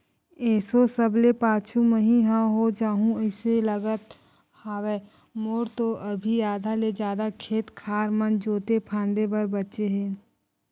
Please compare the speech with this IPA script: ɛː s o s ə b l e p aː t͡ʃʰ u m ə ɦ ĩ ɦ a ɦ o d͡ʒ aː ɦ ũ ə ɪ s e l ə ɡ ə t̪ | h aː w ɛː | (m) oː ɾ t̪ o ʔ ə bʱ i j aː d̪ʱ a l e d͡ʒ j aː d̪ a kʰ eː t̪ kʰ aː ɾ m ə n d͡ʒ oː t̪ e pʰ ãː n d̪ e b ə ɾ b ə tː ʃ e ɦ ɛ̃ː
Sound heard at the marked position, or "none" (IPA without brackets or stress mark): m